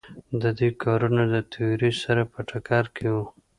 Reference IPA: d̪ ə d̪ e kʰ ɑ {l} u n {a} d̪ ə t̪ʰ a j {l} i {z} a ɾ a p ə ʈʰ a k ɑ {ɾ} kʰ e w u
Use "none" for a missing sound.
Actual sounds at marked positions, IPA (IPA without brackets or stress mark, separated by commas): ɾ, a, ɾ, s, ɾ